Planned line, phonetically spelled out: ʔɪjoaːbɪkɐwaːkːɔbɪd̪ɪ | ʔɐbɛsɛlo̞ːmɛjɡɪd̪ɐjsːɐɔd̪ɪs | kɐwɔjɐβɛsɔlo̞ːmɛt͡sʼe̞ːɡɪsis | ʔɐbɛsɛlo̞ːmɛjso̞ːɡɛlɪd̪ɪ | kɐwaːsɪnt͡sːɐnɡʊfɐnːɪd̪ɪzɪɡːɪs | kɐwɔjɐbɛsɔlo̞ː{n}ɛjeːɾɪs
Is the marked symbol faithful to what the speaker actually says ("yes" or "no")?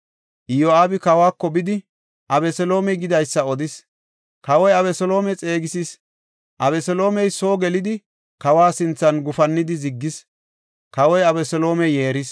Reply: no